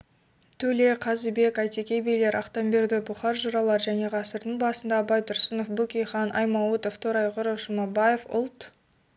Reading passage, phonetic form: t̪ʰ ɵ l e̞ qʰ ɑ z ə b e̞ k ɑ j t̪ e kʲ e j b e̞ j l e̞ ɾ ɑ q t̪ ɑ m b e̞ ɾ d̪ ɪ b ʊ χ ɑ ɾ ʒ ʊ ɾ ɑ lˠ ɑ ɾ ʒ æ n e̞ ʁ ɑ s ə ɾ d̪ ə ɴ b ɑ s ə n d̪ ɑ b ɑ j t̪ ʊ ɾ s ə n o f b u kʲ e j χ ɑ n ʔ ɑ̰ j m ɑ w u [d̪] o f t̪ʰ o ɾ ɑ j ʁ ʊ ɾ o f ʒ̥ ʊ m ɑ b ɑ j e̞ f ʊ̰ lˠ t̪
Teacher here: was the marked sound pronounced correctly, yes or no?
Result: no